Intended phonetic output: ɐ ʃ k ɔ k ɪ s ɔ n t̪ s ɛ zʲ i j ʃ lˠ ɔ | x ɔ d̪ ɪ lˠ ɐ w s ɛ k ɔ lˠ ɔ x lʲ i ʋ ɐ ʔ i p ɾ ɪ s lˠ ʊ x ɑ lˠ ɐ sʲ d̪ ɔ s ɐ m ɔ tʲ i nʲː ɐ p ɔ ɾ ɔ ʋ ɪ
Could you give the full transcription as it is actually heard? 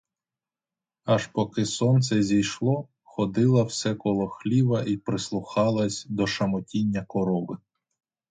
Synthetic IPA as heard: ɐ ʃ p ɔ k ɪ s ɔ n t̪ s ɛ zʲ i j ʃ lˠ ɔ | x ɔ d̪ ɪ lˠ ɐ w s ɛ k ɔ lˠ ɔ x lʲ i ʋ ɐ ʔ i p ɾ ɪ s lˠ ʊ x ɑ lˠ ɐ sʲ d̪ ɔ ʃ ɐ m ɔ tʲ i nʲː ɐ k ɔ ɾ ɔ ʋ ɪ